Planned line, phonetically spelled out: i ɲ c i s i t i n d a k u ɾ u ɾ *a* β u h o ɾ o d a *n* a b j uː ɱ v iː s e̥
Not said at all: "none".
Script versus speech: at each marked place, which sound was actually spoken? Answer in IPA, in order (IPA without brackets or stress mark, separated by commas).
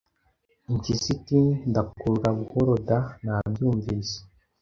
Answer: a, n